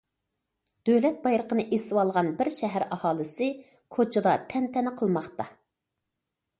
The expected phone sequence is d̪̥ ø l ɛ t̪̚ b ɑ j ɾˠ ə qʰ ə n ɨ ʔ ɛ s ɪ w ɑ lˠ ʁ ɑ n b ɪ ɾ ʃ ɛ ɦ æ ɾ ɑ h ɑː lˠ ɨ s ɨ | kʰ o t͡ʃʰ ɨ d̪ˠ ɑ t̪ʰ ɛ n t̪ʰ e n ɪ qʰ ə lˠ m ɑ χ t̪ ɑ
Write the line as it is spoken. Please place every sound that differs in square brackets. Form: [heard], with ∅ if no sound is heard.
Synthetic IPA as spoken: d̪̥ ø l ɛ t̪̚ b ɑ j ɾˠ ə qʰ ə n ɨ ʔ [e] s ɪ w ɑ lˠ ʁ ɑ n b ɪ ɾ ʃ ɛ ɦ æ ɾ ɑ h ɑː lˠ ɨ s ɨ | kʰ o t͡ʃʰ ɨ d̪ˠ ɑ t̪ʰ ɛ n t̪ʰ [ɛ] n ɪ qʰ ə lˠ m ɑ χ t̪ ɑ